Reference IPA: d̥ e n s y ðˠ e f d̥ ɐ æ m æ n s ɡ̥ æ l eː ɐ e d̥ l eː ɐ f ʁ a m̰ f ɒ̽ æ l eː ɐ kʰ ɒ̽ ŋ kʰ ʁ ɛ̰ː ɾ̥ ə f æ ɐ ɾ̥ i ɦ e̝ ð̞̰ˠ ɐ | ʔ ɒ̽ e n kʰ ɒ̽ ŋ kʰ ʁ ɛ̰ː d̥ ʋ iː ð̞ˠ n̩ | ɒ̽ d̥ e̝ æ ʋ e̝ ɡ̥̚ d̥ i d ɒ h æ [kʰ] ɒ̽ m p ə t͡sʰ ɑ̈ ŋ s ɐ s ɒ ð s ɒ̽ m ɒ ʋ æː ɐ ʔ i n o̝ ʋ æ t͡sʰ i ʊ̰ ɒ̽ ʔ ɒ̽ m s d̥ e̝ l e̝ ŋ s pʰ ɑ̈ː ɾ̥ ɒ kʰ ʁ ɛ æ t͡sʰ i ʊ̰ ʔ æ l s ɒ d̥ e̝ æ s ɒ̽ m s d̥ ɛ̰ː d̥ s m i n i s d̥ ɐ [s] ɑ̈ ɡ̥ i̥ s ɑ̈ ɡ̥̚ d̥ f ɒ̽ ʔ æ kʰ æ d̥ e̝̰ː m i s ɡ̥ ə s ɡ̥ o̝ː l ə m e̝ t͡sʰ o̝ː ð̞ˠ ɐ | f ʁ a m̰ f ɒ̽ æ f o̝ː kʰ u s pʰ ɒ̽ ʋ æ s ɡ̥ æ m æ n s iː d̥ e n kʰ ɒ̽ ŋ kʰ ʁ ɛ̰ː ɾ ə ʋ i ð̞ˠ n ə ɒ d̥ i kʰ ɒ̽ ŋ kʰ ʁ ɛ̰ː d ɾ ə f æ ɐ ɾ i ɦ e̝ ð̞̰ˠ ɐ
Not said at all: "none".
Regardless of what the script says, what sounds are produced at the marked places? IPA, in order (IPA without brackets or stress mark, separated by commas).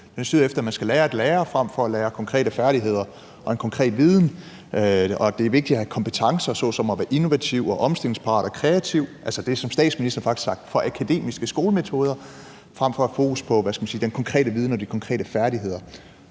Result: kʰ, f